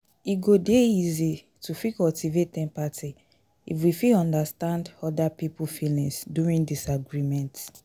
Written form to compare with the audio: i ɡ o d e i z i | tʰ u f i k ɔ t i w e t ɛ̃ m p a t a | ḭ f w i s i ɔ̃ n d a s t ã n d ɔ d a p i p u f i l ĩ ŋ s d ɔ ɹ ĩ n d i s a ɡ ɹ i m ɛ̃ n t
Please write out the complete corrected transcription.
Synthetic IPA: i ɡ o d e i z i | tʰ u f i k ɔ t i v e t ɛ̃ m p a t i | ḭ f w i f i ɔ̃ n d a s t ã n d ɔ d a p i p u f i l ĩ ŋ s d u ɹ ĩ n d i s a ɡ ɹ i m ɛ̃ n t